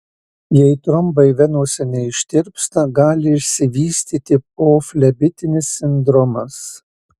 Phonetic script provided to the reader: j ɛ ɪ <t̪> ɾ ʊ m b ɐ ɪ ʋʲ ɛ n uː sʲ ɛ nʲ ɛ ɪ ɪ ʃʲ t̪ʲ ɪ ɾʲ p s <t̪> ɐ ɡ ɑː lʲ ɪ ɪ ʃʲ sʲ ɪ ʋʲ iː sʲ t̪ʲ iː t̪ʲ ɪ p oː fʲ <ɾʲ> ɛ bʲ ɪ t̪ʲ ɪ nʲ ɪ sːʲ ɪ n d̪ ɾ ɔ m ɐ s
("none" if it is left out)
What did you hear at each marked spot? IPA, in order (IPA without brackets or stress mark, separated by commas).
t̪, t̪, lʲ